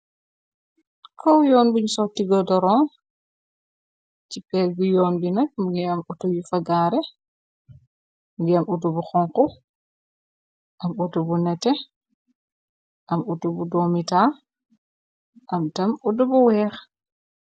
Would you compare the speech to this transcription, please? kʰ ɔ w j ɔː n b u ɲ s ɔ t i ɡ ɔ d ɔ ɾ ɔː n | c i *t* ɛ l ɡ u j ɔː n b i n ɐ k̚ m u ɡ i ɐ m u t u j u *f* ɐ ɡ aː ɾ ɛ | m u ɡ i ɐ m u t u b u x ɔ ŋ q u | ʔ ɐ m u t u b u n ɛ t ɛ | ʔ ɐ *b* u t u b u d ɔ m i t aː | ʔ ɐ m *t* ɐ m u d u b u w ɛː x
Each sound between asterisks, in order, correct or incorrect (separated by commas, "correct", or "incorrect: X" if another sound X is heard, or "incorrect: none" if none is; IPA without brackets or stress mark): incorrect: p, correct, incorrect: m, correct